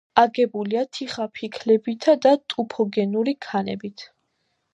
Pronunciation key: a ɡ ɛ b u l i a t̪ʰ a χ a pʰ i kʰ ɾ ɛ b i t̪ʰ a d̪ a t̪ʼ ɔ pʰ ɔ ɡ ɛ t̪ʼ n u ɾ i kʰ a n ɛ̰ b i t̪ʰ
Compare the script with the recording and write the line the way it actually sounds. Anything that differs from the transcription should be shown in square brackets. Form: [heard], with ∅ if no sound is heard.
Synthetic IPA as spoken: a ɡ ɛ b u l i a t̪ʰ [i] χ a pʰ i kʰ [l] ɛ b i t̪ʰ a d̪ a t̪ʼ [u] pʰ ɔ ɡ ɛ [∅] n u ɾ i kʰ a n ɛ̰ b i t̪ʰ